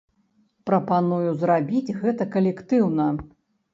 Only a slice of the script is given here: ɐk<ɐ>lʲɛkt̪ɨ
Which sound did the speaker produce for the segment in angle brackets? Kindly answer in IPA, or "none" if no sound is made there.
ɐ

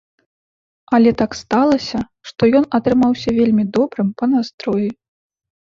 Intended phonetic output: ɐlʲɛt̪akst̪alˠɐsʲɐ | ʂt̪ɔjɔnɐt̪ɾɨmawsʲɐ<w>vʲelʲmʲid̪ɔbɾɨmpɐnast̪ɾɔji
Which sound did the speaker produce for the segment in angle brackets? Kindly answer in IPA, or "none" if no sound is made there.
none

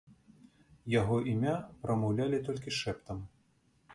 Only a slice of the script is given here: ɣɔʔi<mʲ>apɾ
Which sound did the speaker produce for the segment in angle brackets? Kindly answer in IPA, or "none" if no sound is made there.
mʲ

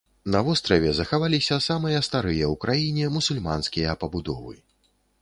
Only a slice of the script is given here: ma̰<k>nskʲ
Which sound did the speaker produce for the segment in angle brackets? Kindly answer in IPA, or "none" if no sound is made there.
none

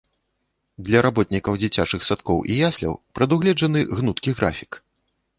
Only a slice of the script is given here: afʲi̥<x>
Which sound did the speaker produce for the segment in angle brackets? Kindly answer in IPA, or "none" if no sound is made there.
k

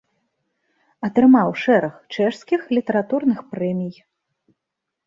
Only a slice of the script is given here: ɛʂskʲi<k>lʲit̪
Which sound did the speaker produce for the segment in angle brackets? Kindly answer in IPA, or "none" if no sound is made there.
x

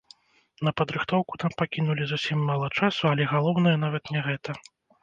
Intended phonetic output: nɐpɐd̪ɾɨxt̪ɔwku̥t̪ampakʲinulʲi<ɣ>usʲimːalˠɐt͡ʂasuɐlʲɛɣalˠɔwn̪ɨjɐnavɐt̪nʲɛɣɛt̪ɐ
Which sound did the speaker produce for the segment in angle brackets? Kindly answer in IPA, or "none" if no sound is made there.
z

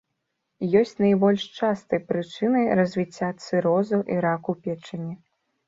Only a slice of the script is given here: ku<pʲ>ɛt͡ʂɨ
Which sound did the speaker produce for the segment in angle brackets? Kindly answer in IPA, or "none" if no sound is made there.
pʲ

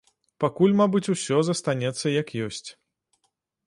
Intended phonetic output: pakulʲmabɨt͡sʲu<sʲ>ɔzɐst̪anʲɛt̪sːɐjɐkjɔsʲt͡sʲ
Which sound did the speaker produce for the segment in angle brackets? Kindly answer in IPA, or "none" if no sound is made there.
sʲ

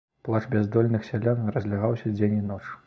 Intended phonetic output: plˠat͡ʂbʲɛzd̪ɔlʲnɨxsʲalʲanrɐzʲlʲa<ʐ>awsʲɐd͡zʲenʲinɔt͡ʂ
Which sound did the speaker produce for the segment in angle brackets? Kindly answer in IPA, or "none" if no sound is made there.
ɣ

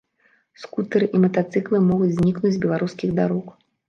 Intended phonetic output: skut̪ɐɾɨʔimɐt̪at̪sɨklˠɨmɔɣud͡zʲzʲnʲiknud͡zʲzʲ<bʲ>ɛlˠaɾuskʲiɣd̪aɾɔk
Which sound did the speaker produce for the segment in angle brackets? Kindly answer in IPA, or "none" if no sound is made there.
bʲ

